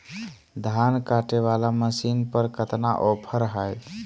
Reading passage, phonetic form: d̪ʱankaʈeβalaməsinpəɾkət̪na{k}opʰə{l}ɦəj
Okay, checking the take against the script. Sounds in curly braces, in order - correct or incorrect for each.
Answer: incorrect: ʔ, incorrect: ɾ

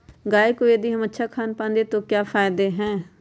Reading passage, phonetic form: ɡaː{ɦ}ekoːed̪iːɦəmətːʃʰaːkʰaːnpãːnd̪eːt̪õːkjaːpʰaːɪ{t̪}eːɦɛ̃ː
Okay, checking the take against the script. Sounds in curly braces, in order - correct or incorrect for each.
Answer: incorrect: none, incorrect: d̪

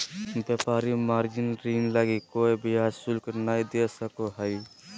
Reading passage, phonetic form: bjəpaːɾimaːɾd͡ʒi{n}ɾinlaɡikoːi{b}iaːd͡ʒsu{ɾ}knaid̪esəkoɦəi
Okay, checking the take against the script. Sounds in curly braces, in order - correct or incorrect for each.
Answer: correct, correct, incorrect: l

